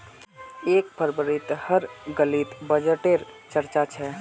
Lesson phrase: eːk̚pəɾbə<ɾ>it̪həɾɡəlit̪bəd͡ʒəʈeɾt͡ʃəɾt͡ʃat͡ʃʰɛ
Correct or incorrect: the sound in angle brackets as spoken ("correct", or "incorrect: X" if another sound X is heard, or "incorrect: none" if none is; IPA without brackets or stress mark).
correct